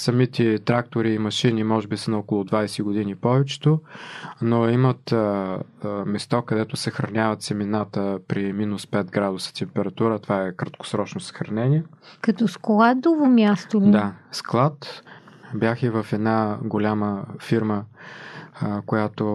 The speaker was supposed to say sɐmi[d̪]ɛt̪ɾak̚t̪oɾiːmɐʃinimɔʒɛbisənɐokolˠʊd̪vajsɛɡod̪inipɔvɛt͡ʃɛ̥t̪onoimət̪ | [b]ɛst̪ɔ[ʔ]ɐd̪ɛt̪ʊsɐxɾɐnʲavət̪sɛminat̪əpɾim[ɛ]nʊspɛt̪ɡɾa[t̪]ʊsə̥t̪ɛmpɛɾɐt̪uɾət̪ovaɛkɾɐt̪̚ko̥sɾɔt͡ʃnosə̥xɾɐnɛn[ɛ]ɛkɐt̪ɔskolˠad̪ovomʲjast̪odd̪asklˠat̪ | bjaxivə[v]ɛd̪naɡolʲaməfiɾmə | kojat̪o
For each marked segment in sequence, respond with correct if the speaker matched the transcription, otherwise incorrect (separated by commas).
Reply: incorrect, incorrect, incorrect, incorrect, incorrect, incorrect, incorrect